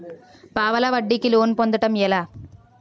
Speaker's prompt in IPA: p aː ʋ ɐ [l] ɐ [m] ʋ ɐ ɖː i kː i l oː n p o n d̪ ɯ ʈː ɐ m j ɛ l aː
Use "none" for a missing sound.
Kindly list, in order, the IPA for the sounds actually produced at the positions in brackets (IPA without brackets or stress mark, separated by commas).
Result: l, none